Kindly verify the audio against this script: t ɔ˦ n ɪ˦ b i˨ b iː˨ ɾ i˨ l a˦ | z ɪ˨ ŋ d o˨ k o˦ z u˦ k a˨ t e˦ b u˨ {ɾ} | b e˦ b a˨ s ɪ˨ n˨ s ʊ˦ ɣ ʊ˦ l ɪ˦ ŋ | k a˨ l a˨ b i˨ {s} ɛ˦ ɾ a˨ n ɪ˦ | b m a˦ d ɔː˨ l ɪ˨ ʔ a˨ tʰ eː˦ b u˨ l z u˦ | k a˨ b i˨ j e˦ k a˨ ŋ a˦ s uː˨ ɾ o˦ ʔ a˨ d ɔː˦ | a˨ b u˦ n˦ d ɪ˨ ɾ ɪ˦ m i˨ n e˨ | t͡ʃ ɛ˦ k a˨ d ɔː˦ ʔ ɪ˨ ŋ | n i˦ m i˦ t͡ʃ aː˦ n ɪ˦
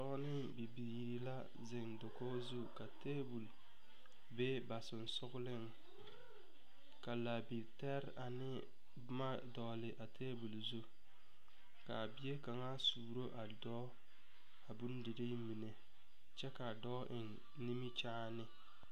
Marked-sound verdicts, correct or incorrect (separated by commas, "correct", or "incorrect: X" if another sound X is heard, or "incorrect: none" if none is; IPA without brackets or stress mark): incorrect: l, incorrect: t